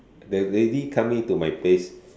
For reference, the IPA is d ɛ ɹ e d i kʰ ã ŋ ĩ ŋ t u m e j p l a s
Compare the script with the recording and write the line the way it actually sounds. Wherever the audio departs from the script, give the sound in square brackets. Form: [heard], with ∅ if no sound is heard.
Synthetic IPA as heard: d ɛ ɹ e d i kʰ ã [m] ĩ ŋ t u m [a] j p l [e] s

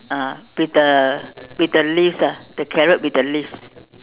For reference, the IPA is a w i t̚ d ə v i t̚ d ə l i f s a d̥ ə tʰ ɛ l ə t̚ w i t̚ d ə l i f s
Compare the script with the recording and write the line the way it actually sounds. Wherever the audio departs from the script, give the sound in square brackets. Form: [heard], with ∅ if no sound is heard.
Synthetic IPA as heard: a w i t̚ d ə [w] i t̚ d ə l i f s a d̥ ə [kʰ] ɛ [ɹ] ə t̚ w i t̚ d ə l i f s

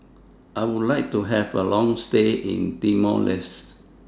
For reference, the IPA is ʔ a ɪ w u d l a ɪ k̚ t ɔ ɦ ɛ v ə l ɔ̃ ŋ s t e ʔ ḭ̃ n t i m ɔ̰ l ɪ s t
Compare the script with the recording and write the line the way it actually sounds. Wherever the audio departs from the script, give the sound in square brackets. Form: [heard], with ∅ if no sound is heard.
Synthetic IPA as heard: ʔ a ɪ w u d l a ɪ k̚ t [u] ɦ ɛ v ə l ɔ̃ ŋ s t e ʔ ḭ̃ n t i m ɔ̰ l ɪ s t

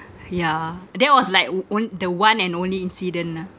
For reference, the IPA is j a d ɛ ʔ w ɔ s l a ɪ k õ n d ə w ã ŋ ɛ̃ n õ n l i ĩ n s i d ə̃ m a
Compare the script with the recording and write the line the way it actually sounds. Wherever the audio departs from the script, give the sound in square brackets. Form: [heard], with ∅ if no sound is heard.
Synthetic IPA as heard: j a d ɛ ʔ w ɔ s l a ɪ k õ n d ə w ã [n] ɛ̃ n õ n l i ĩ n s i d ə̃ [n] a

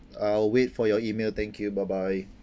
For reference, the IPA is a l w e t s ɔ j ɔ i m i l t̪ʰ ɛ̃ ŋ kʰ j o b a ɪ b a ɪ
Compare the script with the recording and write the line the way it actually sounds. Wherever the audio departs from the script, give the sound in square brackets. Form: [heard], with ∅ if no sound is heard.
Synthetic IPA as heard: a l w e t [f] ɔ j ɔ i m [e] l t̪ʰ ɛ̃ ŋ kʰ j [u] b a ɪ b a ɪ

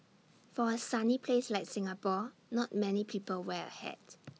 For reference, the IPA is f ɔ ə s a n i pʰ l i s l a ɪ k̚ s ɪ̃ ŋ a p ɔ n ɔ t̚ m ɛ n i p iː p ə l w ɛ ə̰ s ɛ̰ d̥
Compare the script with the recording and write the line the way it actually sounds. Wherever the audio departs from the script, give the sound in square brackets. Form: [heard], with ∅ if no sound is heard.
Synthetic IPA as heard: f ɔ ə s a n i pʰ l [e] s l a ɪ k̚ s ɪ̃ ŋ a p ɔ n ɔ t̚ m ɛ n i [pʰ] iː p ə l w ɛ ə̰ [h] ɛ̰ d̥

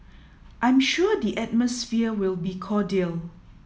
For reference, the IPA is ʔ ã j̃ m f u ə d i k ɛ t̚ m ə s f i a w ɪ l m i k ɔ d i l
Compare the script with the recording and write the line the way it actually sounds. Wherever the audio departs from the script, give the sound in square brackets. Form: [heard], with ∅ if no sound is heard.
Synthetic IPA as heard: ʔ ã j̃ m [ʃ] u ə d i [ʔ] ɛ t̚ m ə s f i [ə] w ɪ l [b] i [kʰ] ɔ d i l

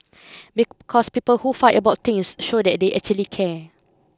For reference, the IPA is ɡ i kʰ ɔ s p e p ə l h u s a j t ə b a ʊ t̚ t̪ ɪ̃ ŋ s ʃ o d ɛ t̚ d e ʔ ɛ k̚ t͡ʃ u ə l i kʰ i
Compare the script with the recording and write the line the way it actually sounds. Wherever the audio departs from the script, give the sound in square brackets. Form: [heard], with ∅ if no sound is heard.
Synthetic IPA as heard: [b] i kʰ ɔ s p [i] p ə l h u [f] a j t ə b a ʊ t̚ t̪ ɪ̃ ŋ s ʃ o d ɛ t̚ d e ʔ ɛ k̚ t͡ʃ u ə l i kʰ [ɛ]

